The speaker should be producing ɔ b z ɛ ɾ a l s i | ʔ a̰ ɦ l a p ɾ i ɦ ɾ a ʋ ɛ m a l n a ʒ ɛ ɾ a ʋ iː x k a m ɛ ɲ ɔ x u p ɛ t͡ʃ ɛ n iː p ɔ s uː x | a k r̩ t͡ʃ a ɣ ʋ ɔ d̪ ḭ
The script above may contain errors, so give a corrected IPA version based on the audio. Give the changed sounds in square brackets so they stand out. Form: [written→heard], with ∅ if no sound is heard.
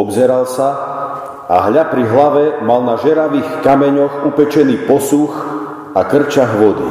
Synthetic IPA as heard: ɔ b z ɛ ɾ a l s [i→a] | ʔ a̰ ɦ [l→ʎ] a p ɾ i ɦ [ɾ→l] a ʋ ɛ m a l n a ʒ ɛ ɾ a ʋ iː x k a m ɛ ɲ ɔ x u p ɛ t͡ʃ ɛ n iː p ɔ s [uː→u] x | a k r̩ t͡ʃ a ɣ ʋ ɔ d̪ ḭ